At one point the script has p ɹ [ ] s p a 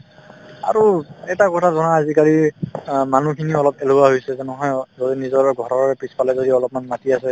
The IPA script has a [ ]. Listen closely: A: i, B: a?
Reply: A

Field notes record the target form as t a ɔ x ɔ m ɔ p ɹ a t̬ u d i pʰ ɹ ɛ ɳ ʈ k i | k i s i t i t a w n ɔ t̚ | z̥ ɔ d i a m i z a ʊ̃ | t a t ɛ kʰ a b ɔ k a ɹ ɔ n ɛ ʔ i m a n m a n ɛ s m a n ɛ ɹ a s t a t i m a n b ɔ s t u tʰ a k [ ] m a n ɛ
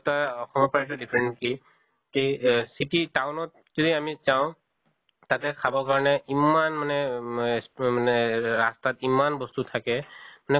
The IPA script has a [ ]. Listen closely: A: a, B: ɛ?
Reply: B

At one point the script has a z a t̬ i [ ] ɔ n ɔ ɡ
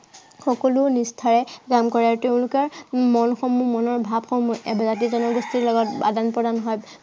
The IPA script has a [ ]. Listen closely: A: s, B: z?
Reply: B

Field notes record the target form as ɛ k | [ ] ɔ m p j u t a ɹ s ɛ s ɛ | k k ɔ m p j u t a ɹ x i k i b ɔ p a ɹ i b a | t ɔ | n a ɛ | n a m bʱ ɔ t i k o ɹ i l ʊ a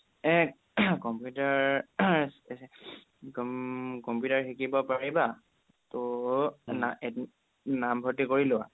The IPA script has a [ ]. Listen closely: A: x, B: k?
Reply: B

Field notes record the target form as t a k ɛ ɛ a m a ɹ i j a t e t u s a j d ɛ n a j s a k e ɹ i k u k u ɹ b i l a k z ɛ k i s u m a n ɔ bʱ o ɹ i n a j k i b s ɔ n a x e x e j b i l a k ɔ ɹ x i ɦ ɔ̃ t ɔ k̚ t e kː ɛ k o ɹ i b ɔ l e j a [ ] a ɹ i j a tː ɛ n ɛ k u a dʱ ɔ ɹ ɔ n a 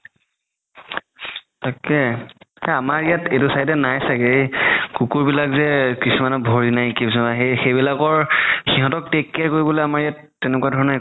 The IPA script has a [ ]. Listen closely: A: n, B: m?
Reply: B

